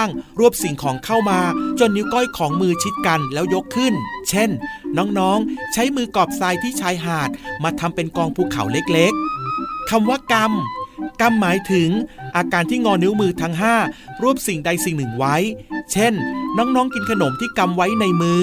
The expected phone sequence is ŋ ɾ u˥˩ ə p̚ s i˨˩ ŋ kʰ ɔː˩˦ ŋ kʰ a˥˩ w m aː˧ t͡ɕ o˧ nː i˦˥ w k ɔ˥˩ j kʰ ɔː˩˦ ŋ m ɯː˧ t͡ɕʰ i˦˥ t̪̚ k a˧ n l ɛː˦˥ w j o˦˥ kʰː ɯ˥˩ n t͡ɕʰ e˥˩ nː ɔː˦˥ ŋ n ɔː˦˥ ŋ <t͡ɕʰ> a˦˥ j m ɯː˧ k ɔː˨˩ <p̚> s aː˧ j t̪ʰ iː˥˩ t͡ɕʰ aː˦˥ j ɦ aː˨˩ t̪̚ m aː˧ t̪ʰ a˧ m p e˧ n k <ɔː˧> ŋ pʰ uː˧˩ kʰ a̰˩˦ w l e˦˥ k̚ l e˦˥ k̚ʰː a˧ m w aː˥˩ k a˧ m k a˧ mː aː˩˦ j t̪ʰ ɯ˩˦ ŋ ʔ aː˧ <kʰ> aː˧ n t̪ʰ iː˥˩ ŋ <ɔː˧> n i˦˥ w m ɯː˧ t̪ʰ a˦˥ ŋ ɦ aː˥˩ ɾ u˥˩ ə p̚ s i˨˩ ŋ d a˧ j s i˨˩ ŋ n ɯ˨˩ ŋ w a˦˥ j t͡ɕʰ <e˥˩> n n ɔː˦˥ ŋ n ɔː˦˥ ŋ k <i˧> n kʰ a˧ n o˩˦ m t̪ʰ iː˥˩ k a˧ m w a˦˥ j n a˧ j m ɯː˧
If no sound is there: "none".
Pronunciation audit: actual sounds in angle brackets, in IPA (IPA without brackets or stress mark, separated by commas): t͡ɕʰ, p̚, ɔː˧, k, ɔː˧, e˥˩, i˧